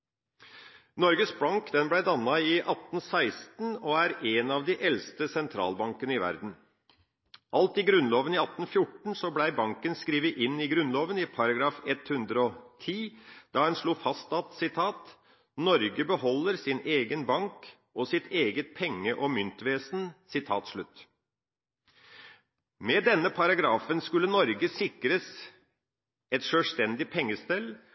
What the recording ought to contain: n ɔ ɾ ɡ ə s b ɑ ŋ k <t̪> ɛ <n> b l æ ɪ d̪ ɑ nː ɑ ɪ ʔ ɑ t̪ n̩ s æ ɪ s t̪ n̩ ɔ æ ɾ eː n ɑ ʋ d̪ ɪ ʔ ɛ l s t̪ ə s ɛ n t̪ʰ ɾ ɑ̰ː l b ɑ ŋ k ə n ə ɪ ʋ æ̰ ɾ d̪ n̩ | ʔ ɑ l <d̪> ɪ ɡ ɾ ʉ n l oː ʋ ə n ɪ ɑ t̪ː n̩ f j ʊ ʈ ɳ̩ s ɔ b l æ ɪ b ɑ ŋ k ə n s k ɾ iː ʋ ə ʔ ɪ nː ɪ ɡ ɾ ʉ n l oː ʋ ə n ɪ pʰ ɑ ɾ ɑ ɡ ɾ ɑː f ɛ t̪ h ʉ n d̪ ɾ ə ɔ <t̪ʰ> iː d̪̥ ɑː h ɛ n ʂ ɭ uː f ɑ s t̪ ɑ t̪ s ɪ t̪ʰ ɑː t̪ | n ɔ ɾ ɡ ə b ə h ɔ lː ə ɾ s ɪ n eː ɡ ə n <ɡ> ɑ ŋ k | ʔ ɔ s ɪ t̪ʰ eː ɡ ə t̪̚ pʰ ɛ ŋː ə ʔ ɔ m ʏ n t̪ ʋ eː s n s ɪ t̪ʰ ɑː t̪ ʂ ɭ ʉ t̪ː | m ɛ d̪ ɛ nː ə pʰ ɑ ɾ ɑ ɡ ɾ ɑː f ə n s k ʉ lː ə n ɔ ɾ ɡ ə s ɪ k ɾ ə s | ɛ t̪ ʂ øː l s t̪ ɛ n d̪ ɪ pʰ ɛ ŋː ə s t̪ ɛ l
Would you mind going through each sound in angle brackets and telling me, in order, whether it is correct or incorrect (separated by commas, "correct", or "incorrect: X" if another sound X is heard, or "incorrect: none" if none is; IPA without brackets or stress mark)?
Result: incorrect: d̪, correct, incorrect: t̪, correct, incorrect: b